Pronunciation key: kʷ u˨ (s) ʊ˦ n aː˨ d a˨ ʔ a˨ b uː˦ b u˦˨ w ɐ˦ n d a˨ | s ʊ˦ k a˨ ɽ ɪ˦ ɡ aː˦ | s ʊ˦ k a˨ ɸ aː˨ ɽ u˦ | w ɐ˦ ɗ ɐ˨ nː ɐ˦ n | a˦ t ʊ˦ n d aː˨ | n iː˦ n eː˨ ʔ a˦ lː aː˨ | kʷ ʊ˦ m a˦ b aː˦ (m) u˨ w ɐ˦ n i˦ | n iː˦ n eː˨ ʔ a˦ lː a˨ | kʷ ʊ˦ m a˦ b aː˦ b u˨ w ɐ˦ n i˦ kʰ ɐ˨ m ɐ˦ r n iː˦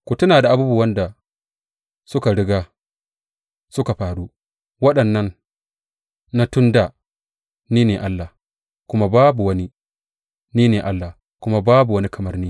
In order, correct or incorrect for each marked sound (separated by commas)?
incorrect, incorrect